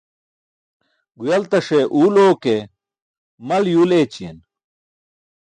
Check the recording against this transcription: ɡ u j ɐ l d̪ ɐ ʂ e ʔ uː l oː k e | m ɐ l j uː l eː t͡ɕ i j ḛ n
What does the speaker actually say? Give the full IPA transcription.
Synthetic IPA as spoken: ɡ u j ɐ l t̪ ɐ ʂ e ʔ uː l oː k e | m ɐ l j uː l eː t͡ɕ i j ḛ n